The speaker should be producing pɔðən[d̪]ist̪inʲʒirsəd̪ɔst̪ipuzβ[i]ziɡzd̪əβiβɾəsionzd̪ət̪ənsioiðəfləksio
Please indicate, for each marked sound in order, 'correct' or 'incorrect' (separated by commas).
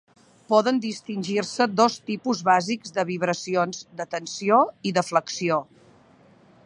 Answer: correct, incorrect